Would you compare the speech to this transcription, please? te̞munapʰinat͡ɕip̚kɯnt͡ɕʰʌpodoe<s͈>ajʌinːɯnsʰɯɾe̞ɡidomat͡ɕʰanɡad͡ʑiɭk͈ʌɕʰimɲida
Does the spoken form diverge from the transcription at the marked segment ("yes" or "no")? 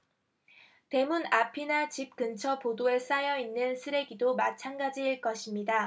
no